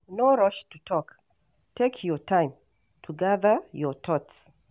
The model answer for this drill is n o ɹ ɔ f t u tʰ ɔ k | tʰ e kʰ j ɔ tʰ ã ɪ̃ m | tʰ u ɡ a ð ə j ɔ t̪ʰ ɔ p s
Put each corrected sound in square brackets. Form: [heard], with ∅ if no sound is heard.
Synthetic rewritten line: n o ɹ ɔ [ʃ] t u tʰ ɔ k | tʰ e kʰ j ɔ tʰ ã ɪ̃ m | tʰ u ɡ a ð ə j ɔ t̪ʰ ɔ [t] s

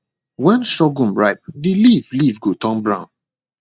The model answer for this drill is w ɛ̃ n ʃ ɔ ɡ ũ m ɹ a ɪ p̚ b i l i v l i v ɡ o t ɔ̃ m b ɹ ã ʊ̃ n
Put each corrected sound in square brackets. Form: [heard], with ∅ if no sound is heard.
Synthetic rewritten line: w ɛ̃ n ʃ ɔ ɡ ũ m ɹ a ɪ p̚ [d] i l i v l i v ɡ o t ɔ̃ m b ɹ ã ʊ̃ n

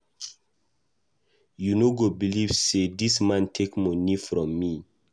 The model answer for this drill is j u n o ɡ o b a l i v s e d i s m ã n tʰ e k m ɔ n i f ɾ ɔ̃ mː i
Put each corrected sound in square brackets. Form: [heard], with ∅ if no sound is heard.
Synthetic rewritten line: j u n o ɡ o b [i] l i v s e d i s m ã n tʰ e k m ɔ n i f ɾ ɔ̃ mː i

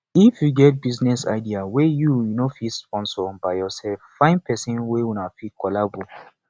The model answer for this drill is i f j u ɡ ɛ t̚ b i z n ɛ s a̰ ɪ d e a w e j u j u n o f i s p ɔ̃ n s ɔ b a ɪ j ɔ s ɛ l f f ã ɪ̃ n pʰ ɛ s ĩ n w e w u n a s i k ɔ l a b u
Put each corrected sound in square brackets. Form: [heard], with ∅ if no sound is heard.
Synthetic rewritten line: i f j u ɡ ɛ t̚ b i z n ɛ s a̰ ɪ d [i] a w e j u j u n o f i s p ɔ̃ n s ɔ b a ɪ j ɔ s ɛ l f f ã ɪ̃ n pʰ ɛ s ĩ n w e w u n a [f] i k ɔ l a b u

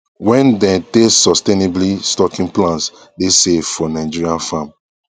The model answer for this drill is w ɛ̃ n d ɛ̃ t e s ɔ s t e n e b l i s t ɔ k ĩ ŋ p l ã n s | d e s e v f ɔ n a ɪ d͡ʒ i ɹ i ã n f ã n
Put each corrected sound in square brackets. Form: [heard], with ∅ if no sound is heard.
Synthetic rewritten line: w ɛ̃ n d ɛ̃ t e s ɔ s t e n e b l i s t ɔ k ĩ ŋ p l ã n s | d e s e v f ɔ n a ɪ d͡ʒ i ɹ i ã n f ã [m]

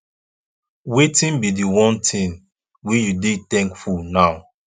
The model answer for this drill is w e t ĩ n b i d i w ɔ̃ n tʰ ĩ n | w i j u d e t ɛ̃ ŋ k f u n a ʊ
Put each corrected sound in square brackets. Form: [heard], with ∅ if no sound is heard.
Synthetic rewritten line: w e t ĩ n b i d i w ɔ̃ n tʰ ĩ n | w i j u d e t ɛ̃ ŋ k f u n a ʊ

